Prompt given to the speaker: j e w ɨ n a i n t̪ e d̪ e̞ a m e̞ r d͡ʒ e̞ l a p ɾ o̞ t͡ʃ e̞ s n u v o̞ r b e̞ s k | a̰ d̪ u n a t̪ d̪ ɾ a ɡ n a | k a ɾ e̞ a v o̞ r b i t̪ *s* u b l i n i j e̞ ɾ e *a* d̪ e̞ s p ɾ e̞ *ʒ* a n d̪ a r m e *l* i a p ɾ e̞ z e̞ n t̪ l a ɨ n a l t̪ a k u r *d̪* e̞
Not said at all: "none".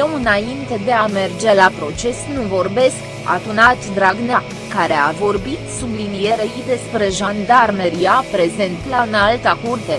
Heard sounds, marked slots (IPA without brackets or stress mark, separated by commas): s, i, ʒ, ɾ, t̪